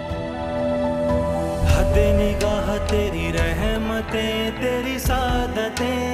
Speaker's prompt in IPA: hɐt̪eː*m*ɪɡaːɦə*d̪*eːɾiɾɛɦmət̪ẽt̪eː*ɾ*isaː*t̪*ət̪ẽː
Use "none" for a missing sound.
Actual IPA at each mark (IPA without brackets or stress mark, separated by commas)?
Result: n, t̪, ɾ, d̪